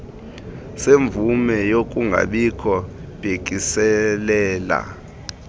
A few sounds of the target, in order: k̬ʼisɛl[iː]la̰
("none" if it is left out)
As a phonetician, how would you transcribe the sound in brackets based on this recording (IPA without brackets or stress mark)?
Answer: ɛː